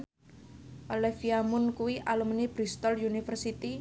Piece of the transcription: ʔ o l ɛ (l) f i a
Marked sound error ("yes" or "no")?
yes